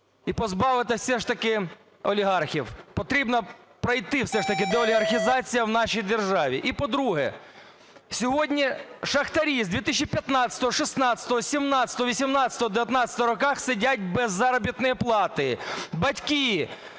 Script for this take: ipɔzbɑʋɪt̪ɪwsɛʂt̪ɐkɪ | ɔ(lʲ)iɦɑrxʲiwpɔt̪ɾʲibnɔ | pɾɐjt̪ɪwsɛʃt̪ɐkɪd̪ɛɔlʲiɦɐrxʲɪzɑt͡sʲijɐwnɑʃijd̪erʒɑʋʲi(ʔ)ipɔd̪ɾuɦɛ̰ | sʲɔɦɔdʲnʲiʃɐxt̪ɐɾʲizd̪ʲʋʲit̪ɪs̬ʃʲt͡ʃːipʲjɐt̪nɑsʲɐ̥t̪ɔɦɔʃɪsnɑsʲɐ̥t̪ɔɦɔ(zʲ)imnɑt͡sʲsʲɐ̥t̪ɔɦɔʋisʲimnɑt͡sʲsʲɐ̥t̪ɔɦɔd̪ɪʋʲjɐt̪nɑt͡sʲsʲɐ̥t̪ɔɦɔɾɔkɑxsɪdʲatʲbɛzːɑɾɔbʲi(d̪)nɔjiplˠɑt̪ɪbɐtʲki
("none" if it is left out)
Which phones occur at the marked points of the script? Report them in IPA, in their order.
lʲ, ʔ, sʲ, t̪

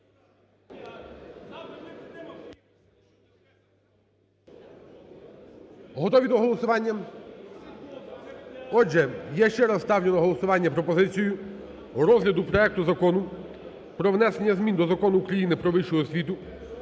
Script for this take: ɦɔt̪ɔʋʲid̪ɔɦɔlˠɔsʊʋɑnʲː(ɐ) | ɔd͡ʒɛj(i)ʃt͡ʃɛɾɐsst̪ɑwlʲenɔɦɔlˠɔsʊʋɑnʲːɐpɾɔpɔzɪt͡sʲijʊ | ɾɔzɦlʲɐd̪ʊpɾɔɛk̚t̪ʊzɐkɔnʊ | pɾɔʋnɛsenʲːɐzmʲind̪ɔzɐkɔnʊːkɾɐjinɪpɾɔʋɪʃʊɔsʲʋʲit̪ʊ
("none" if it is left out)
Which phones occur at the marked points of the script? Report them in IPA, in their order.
ɐ, ɛ

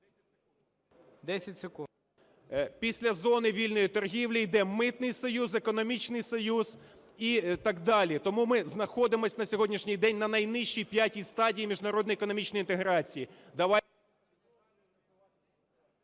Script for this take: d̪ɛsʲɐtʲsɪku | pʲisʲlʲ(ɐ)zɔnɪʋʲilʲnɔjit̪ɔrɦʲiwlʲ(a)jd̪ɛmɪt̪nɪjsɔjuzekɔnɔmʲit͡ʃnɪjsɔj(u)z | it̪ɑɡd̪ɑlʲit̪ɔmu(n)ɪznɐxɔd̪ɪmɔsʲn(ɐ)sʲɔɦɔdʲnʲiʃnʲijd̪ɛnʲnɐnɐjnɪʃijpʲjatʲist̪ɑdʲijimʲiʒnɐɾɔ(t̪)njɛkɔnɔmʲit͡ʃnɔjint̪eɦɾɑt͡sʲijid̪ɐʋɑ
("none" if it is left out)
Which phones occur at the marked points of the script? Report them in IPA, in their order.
ɐ, i, u, m, ɐ, d̪

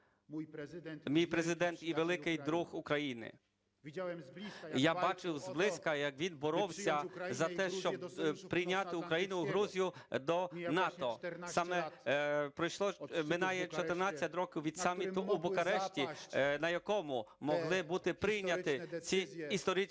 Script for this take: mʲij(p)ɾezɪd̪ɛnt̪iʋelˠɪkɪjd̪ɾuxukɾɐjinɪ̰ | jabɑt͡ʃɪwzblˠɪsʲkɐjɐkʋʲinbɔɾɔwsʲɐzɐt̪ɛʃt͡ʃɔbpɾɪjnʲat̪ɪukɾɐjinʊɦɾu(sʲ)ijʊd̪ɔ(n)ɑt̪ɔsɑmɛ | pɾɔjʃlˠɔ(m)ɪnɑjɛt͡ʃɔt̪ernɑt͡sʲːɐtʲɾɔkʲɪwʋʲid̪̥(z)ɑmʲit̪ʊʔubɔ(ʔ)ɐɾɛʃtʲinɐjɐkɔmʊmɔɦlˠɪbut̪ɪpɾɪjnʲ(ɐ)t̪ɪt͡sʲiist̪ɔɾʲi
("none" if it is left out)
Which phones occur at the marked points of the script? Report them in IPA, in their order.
p, zʲ, n, m, s, k, ɐ

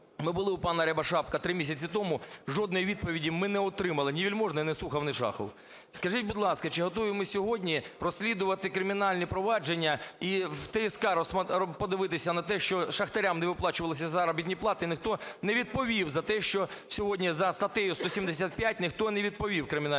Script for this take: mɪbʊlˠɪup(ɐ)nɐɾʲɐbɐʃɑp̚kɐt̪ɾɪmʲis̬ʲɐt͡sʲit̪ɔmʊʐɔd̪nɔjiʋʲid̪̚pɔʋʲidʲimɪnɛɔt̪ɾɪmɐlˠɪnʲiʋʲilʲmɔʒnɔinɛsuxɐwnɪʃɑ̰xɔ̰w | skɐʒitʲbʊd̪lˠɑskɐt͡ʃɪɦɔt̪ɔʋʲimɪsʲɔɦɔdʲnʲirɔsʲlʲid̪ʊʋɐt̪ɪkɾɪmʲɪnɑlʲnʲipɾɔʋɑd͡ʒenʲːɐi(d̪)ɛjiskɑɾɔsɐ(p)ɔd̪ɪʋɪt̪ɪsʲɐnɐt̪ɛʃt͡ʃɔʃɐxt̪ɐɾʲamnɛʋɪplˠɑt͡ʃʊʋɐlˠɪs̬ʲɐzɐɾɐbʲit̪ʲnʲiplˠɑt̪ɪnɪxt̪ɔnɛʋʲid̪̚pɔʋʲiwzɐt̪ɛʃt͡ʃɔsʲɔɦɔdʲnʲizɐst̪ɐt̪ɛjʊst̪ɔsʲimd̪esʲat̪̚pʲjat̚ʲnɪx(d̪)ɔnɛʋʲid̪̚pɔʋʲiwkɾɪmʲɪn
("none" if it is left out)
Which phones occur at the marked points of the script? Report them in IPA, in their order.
ɑ, t̪, p, t̪

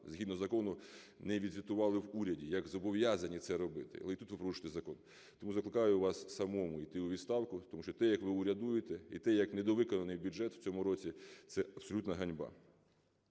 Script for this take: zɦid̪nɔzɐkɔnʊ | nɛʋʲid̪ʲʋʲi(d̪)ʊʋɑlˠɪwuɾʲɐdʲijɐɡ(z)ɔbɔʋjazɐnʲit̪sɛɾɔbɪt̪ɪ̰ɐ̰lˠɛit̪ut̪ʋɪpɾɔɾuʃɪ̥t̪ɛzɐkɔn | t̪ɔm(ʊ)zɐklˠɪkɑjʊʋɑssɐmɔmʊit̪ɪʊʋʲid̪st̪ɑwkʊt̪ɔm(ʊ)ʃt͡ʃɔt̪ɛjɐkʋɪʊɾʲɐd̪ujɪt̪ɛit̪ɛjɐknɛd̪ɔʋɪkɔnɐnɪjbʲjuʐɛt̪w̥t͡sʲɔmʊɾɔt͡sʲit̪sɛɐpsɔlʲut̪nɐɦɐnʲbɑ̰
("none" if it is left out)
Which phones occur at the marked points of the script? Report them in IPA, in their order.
t̪, z, u, u

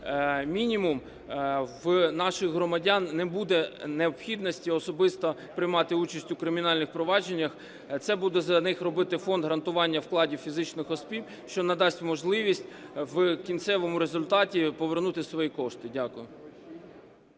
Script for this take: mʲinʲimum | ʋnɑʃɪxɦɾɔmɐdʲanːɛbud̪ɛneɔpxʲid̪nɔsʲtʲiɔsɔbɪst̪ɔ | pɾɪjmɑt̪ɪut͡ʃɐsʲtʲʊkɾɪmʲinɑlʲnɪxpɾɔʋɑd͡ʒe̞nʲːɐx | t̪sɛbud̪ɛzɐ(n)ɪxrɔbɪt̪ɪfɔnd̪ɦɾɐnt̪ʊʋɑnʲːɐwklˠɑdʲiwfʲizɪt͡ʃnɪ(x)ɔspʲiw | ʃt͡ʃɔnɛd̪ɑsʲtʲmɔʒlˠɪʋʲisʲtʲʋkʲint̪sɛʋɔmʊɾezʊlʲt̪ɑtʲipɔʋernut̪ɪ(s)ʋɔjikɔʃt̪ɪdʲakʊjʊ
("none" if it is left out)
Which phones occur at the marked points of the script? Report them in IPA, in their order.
n, x, s

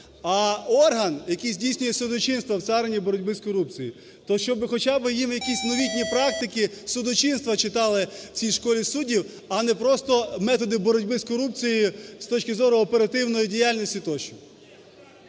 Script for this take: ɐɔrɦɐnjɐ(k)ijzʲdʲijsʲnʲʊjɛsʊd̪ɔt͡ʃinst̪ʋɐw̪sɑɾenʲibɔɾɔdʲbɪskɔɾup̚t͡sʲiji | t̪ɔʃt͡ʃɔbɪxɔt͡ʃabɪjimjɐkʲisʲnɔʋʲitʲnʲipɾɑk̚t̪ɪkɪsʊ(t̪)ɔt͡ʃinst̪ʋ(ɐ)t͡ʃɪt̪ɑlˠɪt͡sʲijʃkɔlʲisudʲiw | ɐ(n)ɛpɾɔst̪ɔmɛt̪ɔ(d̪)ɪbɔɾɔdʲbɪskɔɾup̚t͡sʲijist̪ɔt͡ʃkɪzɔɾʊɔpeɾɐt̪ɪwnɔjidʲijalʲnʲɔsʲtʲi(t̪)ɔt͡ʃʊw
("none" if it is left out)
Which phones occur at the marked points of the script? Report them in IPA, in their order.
k, d̪, ɐ, n, d̪, t̪

